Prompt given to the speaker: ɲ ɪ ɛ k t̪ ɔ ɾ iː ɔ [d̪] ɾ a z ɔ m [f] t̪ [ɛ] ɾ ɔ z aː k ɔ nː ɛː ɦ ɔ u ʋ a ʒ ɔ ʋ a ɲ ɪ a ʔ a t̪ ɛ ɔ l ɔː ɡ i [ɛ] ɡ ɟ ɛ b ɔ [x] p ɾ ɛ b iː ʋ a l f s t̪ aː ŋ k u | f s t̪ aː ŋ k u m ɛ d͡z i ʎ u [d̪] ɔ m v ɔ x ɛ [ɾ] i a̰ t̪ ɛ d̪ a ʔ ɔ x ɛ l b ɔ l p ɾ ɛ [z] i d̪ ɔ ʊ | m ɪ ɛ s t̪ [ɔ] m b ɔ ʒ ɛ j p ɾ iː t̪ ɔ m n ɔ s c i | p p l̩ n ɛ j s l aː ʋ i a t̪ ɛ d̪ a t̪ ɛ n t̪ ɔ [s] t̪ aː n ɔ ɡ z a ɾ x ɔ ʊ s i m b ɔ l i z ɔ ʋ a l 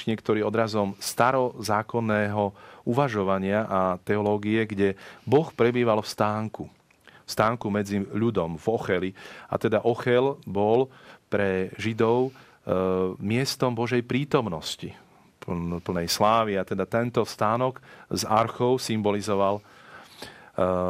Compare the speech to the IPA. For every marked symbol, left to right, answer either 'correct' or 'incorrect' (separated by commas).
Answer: correct, incorrect, incorrect, correct, correct, correct, incorrect, incorrect, correct, correct